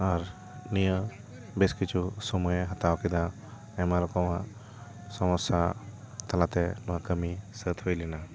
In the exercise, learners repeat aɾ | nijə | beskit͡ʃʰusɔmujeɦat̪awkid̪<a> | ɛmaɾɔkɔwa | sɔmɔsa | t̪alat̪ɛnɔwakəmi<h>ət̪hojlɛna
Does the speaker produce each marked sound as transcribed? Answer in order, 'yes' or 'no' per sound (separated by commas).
yes, no